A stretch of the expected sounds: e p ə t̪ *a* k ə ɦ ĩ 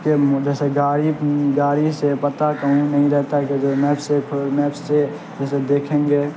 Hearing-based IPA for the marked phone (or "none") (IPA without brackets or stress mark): a